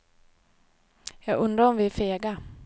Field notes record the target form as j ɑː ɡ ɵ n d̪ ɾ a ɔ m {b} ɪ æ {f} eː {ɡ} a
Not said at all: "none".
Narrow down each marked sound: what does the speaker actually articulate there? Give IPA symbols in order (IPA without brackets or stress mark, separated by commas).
v, f, ɡ